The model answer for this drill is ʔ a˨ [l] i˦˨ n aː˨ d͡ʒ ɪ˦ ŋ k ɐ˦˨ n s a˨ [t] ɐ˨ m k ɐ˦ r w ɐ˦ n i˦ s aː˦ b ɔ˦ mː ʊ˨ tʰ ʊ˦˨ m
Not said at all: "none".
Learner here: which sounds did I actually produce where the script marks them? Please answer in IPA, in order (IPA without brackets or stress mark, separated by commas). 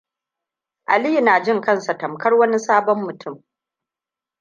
l, t